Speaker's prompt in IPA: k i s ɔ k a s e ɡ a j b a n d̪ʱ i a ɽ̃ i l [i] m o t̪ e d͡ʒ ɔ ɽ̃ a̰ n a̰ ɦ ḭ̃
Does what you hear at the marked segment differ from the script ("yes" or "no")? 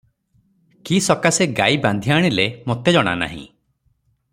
yes